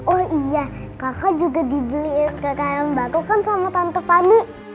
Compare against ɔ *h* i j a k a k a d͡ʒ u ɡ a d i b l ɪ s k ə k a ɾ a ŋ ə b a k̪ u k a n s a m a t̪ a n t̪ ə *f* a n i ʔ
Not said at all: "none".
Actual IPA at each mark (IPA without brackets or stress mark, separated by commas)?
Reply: h, f